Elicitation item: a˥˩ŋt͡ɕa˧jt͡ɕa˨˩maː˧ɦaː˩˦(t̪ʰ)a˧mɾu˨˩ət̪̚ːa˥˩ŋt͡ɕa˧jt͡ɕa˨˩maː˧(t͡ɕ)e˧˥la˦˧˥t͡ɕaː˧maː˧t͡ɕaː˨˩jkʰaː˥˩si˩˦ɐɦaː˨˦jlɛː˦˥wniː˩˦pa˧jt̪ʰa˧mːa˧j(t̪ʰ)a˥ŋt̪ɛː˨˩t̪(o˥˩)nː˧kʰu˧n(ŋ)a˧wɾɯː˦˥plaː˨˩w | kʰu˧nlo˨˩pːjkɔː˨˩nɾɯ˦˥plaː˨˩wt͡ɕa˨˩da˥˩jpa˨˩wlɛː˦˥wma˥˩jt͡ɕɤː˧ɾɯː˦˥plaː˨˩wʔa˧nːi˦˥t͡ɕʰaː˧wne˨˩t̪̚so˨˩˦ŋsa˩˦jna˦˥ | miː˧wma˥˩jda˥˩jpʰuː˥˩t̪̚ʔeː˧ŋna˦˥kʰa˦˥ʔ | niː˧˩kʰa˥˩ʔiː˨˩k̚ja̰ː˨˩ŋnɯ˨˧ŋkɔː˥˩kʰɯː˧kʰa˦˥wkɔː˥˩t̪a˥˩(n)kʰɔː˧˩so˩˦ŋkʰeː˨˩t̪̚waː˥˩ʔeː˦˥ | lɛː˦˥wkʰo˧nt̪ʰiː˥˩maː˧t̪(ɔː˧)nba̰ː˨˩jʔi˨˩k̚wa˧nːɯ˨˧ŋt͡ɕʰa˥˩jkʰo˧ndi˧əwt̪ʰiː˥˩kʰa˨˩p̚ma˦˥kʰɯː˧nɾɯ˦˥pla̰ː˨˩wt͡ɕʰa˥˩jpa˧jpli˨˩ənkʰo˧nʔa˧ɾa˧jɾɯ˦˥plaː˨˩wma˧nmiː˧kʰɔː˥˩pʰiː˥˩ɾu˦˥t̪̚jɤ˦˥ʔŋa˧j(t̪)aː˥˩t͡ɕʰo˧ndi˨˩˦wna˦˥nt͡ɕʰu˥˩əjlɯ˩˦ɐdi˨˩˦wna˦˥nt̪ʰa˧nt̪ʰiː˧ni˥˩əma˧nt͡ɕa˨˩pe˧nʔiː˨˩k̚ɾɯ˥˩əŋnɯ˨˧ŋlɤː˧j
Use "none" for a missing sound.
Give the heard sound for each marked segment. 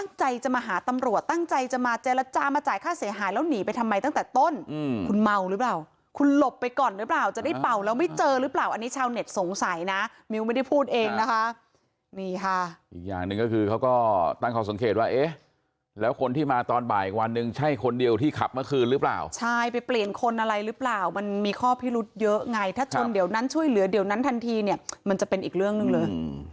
t̪, t͡ɕ, t̪, o˥˩, m, ŋ, ɔː˧, t̪ʰ

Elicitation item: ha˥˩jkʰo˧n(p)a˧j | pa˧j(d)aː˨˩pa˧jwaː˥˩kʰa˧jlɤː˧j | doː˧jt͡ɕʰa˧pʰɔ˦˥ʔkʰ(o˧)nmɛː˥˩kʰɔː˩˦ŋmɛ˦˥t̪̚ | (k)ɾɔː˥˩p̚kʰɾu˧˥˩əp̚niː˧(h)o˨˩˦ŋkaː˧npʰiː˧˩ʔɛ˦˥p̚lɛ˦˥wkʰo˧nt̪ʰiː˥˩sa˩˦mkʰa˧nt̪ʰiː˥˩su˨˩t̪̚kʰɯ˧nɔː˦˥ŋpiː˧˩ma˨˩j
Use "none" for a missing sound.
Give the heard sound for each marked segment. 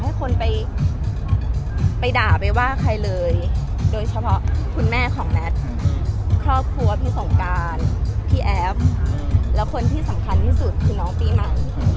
p, d, u˧, kʰ, s

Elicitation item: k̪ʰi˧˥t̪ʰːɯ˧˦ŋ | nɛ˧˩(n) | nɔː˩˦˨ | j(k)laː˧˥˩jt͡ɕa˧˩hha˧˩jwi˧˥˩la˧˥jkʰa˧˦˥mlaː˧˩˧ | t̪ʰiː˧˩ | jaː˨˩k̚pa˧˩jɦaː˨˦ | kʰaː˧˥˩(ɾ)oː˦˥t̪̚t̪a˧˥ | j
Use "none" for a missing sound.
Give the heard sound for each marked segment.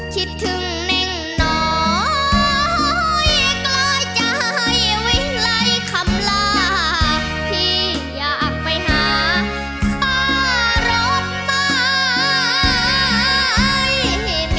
ŋ, k, ɾ

